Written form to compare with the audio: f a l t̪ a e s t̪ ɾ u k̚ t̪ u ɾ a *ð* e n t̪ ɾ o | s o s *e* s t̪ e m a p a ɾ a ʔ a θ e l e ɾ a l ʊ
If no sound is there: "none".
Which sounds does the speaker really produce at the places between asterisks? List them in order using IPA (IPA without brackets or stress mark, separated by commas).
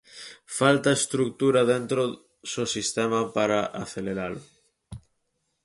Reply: ð, i